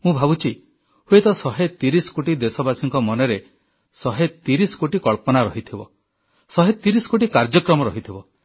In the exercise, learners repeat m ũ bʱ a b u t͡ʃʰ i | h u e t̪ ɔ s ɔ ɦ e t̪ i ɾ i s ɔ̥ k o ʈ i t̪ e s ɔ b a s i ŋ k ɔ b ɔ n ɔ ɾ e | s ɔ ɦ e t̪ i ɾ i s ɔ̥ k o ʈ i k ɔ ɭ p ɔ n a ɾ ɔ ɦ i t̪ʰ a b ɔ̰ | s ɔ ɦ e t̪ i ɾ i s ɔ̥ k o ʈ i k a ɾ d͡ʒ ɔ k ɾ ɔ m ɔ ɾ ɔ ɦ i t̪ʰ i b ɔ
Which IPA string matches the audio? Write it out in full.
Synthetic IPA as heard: m ũ bʱ a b u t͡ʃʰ i | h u e t̪ ɔ s ɔ ɦ e t̪ i ɾ i s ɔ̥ k o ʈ i d̪ e s ɔ b a s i ŋ k ɔ m ɔ n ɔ ɾ e | s ɔ ɦ e t̪ i ɾ i s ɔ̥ k o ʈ i k ɔ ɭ p ɔ n a ɾ ɔ ɦ i t̪ʰ i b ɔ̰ | s ɔ ɦ e t̪ i ɾ i s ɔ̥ k o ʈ i k a ɾ d͡ʒ ɔ k ɾ ɔ m ɔ ɾ ɔ ɦ i t̪ʰ i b ɔ